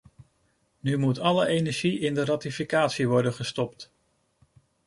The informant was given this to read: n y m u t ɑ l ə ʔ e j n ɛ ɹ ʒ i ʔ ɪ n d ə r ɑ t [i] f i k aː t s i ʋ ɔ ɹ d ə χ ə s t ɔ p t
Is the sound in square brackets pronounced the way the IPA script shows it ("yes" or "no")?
yes